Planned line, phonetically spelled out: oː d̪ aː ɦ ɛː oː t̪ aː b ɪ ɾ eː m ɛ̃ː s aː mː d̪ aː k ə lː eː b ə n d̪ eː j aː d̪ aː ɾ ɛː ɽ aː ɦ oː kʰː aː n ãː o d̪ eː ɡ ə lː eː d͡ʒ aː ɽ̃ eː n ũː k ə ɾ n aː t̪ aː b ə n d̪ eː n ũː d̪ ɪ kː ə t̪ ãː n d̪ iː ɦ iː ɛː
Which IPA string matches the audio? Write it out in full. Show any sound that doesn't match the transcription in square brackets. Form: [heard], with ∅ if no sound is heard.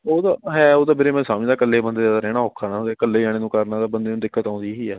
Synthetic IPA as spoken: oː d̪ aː ɦ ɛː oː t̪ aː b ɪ ɾ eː m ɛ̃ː s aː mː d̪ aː k ə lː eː b ə n d̪ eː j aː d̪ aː ɾ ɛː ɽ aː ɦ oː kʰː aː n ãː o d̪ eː [k] ə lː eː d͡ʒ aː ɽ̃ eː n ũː k ə ɾ n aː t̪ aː b ə n d̪ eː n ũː d̪ ɪ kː ə t̪ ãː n d̪ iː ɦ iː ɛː